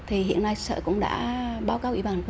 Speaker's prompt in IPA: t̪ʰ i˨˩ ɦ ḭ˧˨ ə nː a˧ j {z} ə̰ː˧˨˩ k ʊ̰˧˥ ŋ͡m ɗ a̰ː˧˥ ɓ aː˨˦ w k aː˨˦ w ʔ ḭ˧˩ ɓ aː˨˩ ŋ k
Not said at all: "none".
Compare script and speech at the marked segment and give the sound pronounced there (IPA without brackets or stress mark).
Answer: s